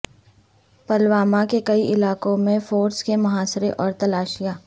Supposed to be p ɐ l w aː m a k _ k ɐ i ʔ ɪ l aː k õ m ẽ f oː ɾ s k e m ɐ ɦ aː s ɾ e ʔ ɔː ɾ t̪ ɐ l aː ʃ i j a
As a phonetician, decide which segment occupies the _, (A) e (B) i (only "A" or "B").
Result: A